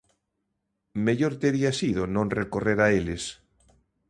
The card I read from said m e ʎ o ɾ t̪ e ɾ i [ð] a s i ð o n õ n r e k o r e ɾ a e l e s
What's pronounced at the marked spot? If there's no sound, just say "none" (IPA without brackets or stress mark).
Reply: none